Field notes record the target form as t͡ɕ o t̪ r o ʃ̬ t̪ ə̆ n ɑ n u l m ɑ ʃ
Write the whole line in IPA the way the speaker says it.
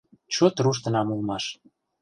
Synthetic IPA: t͡ɕ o t̪ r u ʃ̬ t̪ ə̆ n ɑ m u l m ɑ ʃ